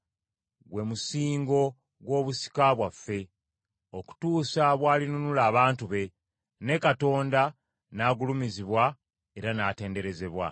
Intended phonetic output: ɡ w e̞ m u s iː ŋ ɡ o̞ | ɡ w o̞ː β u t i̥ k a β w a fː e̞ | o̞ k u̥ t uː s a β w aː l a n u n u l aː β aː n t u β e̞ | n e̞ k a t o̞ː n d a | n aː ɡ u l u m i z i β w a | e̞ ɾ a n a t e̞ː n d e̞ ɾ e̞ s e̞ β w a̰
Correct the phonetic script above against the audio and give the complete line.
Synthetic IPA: ɡ w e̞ m u s iː ŋ ɡ o̞ | ɡ w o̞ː β u s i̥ k a β w a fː e̞ | o̞ k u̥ t uː s a β w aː l i n u n u l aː β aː n t u β e̞ | n e̞ k a t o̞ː n d a | n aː ɡ u l u m i z i β w a | e̞ ɾ a n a t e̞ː n d e̞ ɾ e̞ z e̞ β w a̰